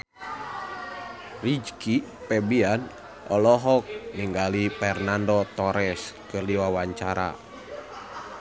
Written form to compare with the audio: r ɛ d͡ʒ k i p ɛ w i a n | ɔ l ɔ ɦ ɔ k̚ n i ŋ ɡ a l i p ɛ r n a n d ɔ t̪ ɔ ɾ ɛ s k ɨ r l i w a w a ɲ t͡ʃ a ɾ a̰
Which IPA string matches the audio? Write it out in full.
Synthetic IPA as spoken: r i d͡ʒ k i p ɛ b i a n | ɔ l ɔ ɦ ɔ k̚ n i ŋ ɡ a l i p ɛ r n a n d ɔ t̪ ɔ ɾ ɛ s k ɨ r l i w a w a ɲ t͡ʃ a ɾ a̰

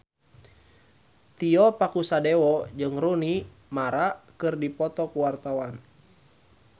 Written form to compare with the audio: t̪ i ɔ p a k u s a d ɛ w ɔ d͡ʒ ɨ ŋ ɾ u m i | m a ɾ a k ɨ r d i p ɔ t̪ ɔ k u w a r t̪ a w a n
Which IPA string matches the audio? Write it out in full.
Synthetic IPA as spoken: t̪ i ɔ p a k u s a d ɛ w ɔ d͡ʒ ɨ ŋ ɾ u n i | m a ɾ a k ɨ r d i p ɔ t̪ ɔ k u w a r t̪ a w a n

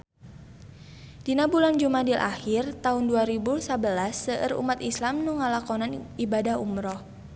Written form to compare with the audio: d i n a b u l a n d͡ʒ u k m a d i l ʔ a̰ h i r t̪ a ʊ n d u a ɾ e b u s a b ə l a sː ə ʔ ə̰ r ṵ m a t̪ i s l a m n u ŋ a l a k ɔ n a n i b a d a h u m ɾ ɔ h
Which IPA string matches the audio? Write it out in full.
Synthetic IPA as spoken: d i n a b u l a n d͡ʒ u m a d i l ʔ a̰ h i r t̪ a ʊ n d u a ɾ i b u s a b ə l a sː ə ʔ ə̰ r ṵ m a t̪ i s l a m n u ŋ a l a k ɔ n a n i b a d a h u m ɾ ɔ h

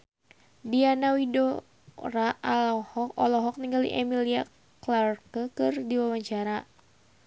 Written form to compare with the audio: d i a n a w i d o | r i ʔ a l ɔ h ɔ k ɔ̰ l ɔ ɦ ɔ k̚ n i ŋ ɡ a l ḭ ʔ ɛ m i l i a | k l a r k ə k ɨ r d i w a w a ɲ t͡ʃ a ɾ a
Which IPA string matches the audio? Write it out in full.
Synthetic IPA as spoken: d i a n a w i d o | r a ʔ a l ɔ h ɔ k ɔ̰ l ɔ ɦ ɔ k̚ n i ŋ ɡ a l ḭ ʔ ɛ m i l i a | k l a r k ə k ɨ r d i w a w a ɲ t͡ʃ a ɾ a

